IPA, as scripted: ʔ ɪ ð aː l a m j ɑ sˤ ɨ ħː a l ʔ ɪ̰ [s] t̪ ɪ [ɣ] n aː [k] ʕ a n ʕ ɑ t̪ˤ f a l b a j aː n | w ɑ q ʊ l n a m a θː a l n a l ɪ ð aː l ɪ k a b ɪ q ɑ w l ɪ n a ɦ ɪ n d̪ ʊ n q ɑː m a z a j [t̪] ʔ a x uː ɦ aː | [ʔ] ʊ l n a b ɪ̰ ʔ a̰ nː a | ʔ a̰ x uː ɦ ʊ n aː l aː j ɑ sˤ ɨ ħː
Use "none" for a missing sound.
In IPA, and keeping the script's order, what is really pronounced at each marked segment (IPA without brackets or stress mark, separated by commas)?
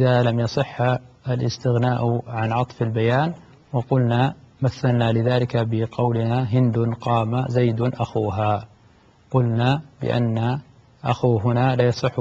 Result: s, ɣ, ʔ, d̪, q